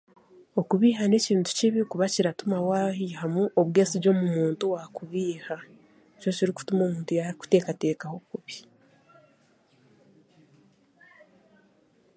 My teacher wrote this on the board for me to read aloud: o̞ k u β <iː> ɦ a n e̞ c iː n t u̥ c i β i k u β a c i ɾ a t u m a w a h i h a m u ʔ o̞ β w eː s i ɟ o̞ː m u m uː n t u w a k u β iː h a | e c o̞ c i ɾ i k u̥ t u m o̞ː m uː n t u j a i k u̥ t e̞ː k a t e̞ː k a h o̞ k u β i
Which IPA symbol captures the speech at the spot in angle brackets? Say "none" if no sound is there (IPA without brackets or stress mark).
iː